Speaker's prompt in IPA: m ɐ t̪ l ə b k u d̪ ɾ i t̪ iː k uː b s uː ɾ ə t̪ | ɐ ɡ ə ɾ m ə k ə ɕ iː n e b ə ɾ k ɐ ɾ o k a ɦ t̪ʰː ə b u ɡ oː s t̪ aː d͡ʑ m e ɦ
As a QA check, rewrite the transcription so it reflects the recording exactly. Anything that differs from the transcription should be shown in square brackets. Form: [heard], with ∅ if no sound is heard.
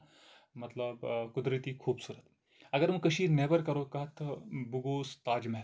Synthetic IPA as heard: m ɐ t̪ l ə b k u d̪ ɾ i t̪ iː [kʰ] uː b s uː ɾ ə t̪ | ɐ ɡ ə ɾ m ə k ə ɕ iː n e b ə ɾ k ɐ ɾ o k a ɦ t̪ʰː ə b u ɡ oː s t̪ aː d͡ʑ m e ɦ